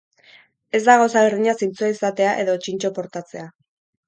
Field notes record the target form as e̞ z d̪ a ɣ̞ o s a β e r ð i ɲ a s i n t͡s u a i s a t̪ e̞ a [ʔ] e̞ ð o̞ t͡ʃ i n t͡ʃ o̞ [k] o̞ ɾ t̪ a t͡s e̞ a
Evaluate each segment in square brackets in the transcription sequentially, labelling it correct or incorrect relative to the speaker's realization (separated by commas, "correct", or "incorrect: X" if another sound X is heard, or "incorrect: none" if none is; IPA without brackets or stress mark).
correct, incorrect: p